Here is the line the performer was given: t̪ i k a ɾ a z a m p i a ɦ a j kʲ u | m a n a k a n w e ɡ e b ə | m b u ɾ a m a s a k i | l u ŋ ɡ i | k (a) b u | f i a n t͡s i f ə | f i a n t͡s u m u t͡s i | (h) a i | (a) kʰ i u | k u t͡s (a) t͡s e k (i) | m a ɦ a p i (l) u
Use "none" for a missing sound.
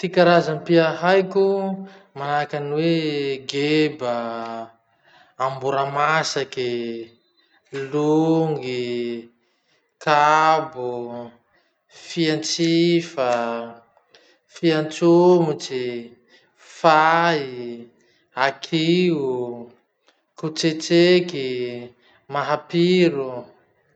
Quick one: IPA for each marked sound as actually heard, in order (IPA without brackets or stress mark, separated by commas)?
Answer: a, f, a, e, i, ɾ